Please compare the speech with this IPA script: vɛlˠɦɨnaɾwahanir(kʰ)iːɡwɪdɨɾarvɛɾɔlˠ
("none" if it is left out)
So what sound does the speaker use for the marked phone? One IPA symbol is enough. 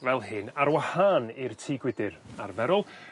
tʰ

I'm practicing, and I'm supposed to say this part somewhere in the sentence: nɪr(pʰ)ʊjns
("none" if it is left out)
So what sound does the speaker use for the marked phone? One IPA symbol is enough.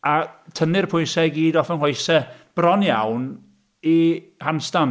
pʰ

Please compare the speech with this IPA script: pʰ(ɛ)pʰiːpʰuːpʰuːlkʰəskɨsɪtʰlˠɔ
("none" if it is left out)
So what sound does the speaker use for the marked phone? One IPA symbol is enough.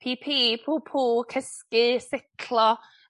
i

